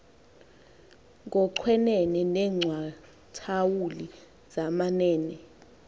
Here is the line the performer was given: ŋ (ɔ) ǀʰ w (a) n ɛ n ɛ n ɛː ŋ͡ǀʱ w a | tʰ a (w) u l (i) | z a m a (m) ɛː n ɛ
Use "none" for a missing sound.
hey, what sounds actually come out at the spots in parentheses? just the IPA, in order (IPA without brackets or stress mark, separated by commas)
ɔ, ɛ, w, i, n